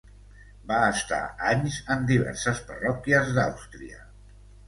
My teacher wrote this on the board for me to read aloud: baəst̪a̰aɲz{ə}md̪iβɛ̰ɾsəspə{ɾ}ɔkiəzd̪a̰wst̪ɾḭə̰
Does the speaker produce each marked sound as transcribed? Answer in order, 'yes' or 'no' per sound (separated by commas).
yes, no